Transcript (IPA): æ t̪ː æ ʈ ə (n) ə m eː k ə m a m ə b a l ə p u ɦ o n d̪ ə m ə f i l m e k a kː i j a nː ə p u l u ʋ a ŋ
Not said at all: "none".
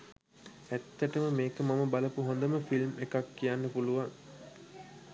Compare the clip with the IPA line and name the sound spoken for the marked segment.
m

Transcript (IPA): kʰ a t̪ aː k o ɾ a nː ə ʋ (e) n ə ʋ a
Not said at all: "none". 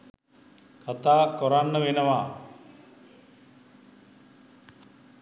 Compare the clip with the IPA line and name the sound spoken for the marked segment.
e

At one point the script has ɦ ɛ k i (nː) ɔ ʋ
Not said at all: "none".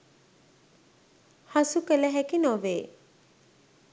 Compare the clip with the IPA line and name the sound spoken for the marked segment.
n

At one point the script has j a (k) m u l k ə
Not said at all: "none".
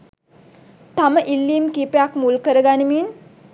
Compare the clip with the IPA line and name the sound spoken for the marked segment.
k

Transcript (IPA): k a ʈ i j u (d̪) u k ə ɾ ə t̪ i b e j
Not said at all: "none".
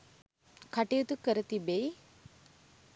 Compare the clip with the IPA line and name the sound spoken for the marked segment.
t̪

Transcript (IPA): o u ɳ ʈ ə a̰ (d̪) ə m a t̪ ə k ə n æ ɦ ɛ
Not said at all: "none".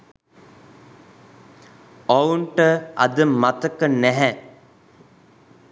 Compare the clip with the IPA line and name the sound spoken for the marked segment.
d̪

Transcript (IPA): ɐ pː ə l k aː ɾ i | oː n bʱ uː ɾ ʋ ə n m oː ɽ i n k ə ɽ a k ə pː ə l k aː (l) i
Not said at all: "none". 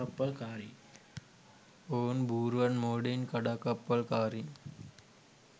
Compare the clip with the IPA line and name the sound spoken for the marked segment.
ɾ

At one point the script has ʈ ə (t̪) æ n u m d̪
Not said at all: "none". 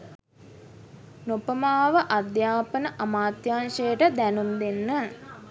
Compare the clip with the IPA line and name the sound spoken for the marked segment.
d̪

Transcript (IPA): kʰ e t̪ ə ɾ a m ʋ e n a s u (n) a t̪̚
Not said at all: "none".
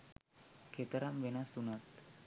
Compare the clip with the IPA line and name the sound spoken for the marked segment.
n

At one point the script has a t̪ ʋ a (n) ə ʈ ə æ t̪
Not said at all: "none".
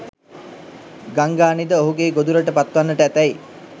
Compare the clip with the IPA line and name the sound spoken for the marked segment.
nː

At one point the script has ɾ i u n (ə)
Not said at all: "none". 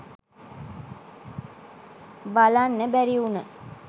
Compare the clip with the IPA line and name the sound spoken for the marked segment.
ə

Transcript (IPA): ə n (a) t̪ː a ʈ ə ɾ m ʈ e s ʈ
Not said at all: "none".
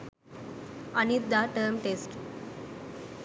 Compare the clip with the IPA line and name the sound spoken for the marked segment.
i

